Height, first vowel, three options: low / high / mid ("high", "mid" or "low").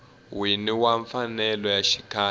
high